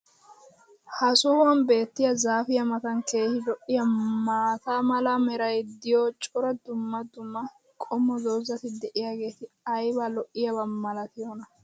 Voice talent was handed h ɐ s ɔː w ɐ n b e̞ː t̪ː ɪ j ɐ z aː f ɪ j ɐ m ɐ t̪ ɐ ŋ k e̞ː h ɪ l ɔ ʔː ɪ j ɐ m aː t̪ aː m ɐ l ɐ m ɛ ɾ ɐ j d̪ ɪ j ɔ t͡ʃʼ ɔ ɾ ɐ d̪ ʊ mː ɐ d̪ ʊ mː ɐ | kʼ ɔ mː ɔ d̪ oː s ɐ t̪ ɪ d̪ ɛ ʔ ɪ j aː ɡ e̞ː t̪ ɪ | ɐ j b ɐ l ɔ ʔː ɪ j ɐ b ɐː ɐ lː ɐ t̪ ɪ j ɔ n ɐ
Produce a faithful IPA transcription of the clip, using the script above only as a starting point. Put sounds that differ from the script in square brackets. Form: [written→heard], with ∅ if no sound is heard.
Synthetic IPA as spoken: h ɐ s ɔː w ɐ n b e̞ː t̪ː ɪ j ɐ z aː f ɪ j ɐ m ɐ t̪ ɐ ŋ k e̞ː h ɪ l ɔ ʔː ɪ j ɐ m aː t̪ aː m ɐ l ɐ m ɛ ɾ ɐ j d̪ ɪ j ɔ t͡ʃʼ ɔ ɾ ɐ d̪ ʊ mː ɐ d̪ ʊ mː ɐ | kʼ ɔ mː ɔ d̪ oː [s→z] ɐ t̪ ɪ d̪ ɛ ʔ ɪ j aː ɡ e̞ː t̪ ɪ | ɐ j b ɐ l ɔ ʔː ɪ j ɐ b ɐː ɐ [lː→l] ɐ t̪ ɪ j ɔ n ɐ